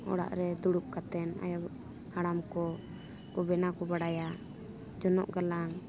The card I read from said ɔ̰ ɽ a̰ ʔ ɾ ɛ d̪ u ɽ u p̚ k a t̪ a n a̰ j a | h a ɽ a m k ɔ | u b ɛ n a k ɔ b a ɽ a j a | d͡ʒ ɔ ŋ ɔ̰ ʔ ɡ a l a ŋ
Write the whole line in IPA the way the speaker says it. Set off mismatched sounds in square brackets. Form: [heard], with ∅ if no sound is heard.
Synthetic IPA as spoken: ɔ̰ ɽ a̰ ʔ ɾ ɛ d̪ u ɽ u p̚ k a t̪ [ɛ] n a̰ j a | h a ɽ a m k ɔ | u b ɛ n a k ɔ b a ɽ a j a | d͡ʒ ɔ [n] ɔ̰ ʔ ɡ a l a ŋ